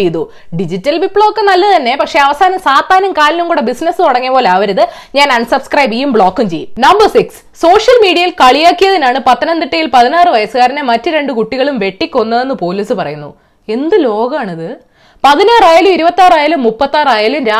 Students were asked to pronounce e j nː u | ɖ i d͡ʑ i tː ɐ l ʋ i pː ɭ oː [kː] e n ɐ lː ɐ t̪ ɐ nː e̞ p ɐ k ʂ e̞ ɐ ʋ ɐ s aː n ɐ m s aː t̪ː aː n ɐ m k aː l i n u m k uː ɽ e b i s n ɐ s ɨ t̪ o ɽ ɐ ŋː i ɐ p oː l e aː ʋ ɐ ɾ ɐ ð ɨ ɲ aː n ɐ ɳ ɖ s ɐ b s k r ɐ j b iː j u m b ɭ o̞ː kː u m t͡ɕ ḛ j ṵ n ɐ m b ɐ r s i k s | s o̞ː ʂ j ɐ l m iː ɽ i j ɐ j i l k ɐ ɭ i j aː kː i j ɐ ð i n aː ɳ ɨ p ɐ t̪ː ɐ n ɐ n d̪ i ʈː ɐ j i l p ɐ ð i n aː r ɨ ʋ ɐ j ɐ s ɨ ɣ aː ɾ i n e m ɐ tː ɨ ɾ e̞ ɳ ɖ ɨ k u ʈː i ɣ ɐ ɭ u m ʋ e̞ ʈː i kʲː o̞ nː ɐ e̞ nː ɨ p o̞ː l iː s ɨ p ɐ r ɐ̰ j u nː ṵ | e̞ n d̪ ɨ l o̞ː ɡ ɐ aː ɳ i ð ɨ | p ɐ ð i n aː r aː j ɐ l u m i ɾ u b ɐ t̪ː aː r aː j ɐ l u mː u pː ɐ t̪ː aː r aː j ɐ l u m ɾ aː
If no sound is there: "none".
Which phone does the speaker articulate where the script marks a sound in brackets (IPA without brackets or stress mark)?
kː